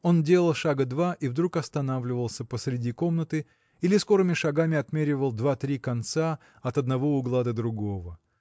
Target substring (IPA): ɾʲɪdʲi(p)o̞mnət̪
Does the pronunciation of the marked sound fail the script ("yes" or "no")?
yes